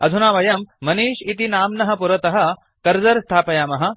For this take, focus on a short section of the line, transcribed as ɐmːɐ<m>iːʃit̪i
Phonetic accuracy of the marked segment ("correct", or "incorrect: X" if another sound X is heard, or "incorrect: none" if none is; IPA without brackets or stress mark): incorrect: n